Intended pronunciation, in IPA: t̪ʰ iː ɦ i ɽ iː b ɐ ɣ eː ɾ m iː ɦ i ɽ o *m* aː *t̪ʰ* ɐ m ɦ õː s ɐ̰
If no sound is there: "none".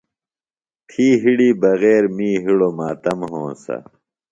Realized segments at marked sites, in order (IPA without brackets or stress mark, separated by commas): m, t̪